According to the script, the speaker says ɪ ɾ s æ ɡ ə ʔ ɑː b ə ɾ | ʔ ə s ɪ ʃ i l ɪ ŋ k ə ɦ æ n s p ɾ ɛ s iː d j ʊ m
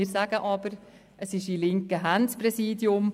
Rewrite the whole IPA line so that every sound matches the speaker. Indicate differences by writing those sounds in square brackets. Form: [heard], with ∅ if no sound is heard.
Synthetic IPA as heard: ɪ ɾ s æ ɡ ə ʔ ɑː b ə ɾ | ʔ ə s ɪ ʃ i l ɪ ŋ k ə ɦ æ n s p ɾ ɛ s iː d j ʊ m